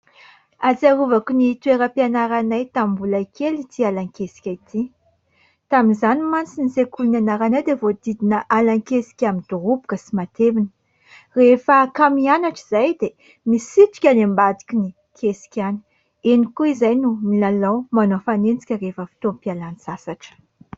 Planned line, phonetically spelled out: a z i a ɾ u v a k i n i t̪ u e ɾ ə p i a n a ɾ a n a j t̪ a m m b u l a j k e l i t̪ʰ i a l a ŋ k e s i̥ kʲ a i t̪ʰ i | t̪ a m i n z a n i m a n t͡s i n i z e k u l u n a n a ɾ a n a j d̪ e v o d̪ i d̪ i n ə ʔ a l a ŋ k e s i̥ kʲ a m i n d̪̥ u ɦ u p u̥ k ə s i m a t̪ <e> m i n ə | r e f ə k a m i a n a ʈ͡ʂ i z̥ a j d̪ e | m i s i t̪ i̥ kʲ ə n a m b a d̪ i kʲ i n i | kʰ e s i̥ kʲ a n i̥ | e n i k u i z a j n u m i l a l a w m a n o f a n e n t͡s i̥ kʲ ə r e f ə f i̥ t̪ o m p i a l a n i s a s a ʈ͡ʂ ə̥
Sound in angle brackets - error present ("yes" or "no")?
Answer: no